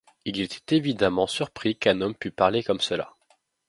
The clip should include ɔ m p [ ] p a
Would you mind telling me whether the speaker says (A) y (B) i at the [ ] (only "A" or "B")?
A